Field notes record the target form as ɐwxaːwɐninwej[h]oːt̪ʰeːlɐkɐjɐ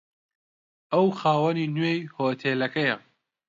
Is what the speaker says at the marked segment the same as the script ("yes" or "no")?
yes